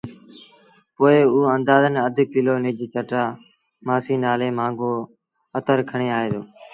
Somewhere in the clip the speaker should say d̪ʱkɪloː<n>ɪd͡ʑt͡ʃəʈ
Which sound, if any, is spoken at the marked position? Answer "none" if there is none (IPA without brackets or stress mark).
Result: n